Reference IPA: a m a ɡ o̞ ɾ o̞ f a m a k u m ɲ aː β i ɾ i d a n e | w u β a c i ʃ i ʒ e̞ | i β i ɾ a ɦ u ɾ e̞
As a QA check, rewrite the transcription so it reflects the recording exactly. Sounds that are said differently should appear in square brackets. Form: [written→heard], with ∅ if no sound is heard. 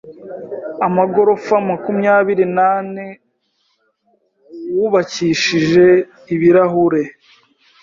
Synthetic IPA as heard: a m a ɡ o̞ ɾ o̞ f a m a k u m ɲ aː β i ɾ i [d→n] a n e | w u β a c i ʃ i ʒ e̞ | i β i ɾ a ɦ u ɾ e̞

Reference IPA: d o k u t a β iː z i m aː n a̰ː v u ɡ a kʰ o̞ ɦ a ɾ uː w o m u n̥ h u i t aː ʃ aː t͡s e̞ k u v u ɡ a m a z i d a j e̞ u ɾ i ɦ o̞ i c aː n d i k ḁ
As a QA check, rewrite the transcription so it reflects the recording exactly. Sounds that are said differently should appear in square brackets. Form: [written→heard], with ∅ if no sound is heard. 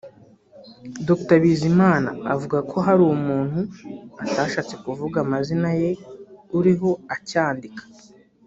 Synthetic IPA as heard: d o k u t a β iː z i m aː n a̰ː v u ɡ a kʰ o̞ ɦ a ɾ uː w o m [u→uː] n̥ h u [i→a] t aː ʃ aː t͡s e̞ k u v u ɡ a m a z i [d→n] a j e̞ u ɾ i ɦ o̞ [i→a] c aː n d i k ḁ

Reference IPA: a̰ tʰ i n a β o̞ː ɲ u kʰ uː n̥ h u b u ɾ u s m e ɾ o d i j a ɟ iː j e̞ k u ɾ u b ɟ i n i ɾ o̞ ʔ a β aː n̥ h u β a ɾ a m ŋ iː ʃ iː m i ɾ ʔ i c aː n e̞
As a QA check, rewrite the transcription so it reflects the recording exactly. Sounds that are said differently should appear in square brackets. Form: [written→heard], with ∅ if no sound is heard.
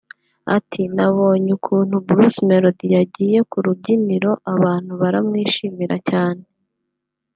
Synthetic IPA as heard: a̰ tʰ i n a β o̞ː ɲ u kʰ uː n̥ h u b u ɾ u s m e ɾ o d i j a ɟ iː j e̞ k u ɾ u b ɟ i n i ɾ o̞ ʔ a β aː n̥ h u β a ɾ a m ŋ iː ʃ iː m i ɾ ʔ [i→a] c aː n e̞

